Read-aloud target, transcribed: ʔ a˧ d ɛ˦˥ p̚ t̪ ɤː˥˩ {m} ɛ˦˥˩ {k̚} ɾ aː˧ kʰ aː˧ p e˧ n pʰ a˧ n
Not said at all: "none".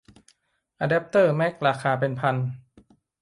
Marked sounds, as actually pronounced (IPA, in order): m, k̚

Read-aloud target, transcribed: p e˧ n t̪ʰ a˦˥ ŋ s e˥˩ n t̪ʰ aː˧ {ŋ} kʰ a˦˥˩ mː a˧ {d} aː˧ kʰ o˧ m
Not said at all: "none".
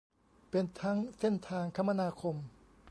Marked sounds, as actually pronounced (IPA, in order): ŋ, n

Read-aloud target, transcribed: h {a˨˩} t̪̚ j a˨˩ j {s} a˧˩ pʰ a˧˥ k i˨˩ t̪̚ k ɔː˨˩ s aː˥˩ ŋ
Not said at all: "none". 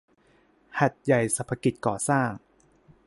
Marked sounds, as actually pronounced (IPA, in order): a˨˩, s

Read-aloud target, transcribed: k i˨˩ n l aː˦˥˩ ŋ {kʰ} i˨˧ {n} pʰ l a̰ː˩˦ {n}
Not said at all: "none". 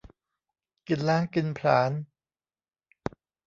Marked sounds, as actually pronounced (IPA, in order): k, n, n

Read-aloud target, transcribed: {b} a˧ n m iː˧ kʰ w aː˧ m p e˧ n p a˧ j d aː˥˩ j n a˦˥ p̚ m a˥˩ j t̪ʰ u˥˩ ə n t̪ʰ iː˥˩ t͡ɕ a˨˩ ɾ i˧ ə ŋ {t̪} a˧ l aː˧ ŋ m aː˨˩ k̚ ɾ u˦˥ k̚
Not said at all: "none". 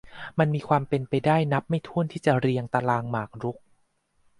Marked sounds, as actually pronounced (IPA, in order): m, t̪

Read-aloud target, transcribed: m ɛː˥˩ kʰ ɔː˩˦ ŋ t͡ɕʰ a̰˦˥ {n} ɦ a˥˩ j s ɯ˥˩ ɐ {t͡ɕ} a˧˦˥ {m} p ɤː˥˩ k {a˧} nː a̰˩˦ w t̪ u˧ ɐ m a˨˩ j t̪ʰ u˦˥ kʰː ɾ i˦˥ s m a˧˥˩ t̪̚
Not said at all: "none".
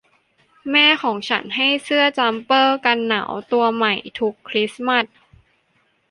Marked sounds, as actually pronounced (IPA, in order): n, t͡ɕ, m, a˧

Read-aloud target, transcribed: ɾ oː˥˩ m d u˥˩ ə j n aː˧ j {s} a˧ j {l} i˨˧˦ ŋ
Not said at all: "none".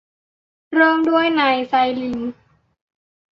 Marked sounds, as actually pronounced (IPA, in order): s, l

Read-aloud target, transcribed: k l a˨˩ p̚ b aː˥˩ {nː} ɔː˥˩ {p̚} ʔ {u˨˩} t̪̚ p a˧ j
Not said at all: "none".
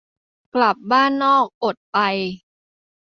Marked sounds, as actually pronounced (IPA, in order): nː, k̚, o˨˩

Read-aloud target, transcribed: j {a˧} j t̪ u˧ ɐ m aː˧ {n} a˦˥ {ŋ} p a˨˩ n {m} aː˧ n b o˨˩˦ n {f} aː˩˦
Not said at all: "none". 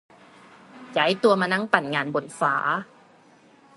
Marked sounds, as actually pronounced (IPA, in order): a˩˦, n, ŋ, ŋ, f

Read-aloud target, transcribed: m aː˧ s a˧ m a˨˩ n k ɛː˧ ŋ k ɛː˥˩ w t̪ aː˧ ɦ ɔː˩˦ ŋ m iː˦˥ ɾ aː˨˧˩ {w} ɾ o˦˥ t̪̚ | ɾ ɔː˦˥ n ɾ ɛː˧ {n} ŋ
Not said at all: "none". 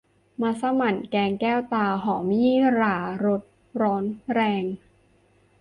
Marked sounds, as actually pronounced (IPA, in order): none, none

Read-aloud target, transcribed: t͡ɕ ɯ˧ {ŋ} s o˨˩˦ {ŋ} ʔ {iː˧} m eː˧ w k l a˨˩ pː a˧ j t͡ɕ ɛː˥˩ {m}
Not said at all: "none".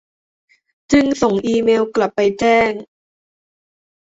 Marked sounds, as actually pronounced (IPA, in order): ŋ, ŋ, iː˧, ŋ

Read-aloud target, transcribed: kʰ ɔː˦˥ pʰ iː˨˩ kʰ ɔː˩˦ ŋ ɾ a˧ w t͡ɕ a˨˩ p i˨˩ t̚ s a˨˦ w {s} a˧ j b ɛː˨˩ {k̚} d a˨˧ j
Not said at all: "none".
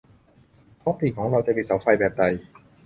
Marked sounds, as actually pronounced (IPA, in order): f, p̚

